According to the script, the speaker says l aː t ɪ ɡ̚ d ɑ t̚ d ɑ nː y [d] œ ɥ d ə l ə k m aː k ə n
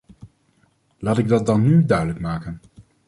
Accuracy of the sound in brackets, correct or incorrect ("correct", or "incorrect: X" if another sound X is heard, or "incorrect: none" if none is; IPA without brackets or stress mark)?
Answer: correct